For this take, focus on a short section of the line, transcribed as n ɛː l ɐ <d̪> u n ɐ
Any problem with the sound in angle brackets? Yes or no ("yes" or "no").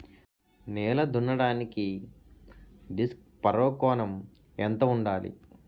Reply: no